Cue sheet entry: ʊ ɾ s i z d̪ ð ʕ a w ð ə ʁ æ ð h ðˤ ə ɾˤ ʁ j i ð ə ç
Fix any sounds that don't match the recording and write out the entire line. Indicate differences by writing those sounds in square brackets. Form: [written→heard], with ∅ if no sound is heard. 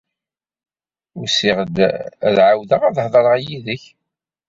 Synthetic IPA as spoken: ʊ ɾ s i [z→ʁ] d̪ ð ʕ a w ð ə ʁ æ ð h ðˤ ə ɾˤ ʁ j i ð ə ç